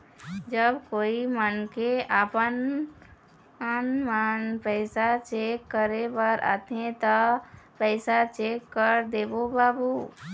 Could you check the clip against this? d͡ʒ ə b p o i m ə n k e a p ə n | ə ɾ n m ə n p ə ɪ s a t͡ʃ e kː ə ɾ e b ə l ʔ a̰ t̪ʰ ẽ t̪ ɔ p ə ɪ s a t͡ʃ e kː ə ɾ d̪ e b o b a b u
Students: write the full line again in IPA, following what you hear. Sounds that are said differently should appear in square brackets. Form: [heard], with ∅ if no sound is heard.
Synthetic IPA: d͡ʒ ə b [k] o i m ə n k e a p ə n | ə [∅] n m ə n p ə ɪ s a t͡ʃ e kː ə ɾ e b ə [ɾ] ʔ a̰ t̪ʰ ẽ t̪ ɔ p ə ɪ s a t͡ʃ e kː ə ɾ d̪ e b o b a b u